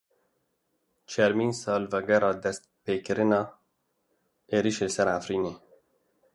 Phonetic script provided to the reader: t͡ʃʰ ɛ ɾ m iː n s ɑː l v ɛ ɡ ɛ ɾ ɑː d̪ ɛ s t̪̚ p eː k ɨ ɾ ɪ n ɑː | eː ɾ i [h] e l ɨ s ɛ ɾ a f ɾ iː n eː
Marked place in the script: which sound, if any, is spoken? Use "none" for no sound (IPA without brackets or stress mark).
ʃ